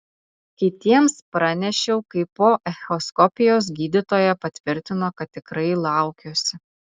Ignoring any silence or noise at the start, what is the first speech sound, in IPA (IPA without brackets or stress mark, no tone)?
kʲ